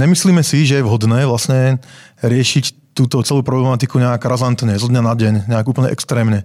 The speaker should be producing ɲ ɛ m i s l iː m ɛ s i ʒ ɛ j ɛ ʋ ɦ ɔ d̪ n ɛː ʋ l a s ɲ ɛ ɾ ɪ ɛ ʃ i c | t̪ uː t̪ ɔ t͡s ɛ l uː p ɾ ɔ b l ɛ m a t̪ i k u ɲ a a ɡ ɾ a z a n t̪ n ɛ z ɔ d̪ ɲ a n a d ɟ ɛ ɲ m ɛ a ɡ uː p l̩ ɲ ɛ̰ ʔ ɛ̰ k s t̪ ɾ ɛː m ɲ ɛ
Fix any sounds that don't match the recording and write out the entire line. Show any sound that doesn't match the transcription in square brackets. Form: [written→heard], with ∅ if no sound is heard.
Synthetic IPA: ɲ ɛ m i s l iː m ɛ s i ʒ ɛ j ɛ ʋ ɦ ɔ d̪ n ɛː ʋ l a s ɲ ɛ ɾ ɪ ɛ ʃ i c | t̪ uː t̪ ɔ t͡s ɛ l uː p ɾ ɔ b l ɛ m a t̪ i k u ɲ [a→ɛ] a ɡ ɾ a z a n t̪ [n→ɲ] ɛ z ɔ d̪ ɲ a n a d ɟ ɛ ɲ [m→ɲ] ɛ a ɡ uː p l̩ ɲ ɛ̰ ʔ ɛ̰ k s t̪ ɾ ɛː m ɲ ɛ